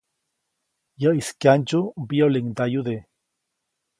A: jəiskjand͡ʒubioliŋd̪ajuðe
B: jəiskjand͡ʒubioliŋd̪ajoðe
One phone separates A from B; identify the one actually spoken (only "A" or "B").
A